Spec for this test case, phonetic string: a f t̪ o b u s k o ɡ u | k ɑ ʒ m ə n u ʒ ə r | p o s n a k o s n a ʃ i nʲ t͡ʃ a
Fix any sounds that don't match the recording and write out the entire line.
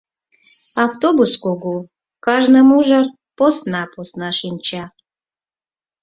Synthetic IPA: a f t̪ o b u s k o ɡ u | k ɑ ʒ n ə m u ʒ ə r | p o s n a p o s n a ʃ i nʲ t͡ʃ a